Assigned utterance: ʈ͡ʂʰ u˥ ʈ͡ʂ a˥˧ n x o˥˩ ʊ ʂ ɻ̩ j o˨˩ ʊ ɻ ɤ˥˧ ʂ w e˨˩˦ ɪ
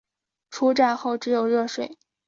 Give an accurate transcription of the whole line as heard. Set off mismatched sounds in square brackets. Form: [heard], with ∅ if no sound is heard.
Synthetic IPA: ʈ͡ʂʰ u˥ ʈ͡ʂ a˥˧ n x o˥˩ ʊ [ʈ͡ʂ] ɻ̩ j o˨˩ ʊ ɻ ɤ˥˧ ʂ w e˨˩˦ ɪ

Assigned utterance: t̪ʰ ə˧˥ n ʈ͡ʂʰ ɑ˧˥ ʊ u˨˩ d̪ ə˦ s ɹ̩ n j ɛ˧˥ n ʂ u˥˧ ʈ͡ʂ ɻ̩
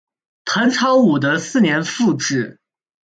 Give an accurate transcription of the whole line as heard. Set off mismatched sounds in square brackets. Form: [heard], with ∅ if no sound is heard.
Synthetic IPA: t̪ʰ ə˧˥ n ʈ͡ʂʰ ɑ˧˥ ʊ u˨˩ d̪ ə˦ s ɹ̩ n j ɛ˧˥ n [f] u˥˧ ʈ͡ʂ ɻ̩

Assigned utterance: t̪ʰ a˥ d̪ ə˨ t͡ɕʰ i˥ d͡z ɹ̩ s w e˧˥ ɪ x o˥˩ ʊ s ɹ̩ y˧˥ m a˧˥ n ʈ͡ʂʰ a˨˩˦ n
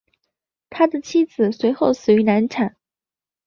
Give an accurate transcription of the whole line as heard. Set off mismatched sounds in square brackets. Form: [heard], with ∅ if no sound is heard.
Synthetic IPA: t̪ʰ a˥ d̪ ə˨ t͡ɕʰ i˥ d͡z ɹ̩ s w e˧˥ ɪ x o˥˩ ʊ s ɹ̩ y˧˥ [n] a˧˥ n ʈ͡ʂʰ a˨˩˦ n

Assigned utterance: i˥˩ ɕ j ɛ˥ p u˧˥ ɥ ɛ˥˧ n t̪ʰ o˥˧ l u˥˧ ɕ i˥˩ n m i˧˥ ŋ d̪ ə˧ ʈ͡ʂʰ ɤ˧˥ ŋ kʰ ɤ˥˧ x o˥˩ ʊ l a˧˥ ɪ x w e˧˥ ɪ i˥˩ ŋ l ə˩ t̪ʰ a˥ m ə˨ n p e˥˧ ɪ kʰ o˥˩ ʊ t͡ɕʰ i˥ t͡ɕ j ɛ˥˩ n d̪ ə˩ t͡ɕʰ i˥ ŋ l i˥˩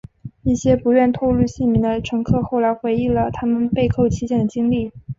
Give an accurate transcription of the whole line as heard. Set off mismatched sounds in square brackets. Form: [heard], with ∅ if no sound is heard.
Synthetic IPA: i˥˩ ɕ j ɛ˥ p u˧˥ ɥ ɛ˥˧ n t̪ʰ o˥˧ l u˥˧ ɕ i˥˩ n m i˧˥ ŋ d̪ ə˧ ʈ͡ʂʰ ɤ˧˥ ŋ kʰ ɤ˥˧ x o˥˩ ʊ l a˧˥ ɪ x w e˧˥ ɪ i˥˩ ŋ l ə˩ t̪ʰ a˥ m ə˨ n p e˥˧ ɪ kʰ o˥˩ ʊ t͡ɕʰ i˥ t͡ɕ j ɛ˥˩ n d̪ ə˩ [t͡ɕ] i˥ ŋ l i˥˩

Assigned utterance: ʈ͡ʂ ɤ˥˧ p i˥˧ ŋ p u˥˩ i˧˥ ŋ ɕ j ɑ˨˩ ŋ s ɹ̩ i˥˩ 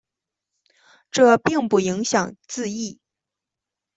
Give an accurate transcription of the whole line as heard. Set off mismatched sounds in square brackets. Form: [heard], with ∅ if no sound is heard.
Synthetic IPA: ʈ͡ʂ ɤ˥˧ p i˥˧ ŋ p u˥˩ i˧˥ ŋ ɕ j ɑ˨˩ ŋ [t͡s] ɹ̩ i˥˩

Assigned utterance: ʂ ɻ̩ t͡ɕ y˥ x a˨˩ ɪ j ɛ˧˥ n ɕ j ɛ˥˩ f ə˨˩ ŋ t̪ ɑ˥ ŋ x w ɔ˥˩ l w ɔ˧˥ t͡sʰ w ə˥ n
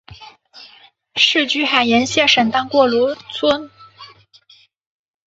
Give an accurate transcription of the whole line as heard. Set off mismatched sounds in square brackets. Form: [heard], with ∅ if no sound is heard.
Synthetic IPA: ʂ ɻ̩ t͡ɕ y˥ x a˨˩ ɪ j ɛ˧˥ n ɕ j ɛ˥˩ [ʂ] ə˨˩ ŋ t̪ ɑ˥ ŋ [k] w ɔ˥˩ l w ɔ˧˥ t͡sʰ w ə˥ n

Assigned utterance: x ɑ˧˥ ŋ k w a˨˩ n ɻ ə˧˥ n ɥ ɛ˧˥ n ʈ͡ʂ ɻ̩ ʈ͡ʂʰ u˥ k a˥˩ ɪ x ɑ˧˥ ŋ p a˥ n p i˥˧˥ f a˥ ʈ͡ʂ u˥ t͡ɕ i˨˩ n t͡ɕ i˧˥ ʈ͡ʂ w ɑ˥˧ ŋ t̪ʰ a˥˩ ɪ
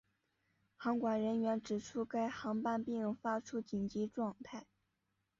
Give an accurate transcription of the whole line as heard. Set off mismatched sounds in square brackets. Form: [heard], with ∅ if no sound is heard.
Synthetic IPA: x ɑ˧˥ ŋ k w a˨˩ n ɻ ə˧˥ n ɥ ɛ˧˥ n ʈ͡ʂ ɻ̩ ʈ͡ʂʰ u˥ k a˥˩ ɪ x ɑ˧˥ ŋ p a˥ n p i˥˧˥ f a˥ [ʈ͡ʂʰ] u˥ t͡ɕ i˨˩ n t͡ɕ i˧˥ ʈ͡ʂ w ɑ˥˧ ŋ t̪ʰ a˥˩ ɪ

